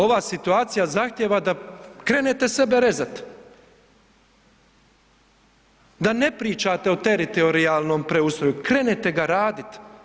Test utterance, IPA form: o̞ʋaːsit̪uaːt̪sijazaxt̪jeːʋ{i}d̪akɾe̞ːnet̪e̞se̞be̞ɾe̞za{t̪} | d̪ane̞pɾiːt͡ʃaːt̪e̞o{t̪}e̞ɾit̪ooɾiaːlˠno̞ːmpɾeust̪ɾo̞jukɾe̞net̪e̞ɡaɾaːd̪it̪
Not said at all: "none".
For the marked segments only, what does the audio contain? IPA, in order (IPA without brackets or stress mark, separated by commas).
a, t̪, t̪